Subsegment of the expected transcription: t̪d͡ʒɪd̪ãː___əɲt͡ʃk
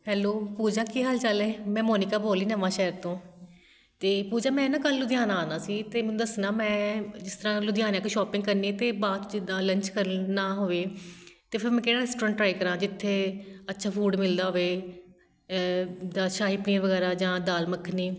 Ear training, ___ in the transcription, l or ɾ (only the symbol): l